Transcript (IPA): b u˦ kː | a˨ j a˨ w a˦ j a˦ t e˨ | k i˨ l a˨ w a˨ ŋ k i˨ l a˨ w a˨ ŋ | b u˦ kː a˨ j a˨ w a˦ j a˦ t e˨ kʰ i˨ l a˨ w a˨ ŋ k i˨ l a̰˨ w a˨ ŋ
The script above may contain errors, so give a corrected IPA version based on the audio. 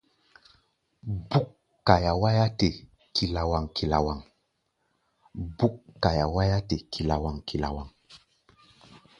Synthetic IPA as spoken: b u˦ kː | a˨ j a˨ w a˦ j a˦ t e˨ | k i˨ l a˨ w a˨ ŋ k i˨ l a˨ w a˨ ŋ | b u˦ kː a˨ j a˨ w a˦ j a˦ t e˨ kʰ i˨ l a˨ w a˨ ŋ k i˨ l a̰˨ w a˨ ŋ